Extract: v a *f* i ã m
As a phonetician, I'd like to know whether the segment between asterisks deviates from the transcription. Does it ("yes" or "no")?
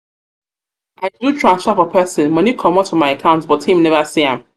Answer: yes